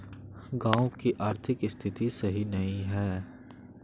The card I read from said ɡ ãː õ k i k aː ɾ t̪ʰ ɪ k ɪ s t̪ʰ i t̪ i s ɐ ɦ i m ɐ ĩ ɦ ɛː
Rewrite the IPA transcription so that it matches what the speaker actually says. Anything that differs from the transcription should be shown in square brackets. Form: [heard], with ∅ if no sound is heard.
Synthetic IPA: ɡ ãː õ k i [ʔ] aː ɾ t̪ʰ ɪ k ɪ s t̪ʰ [ɪ] t̪ i s ɐ ɦ i [n] ɐ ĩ ɦ ɛː